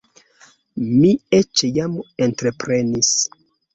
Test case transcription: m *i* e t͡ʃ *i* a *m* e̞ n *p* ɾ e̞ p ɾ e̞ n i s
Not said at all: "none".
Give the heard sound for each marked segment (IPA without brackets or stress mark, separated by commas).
i, j, m, t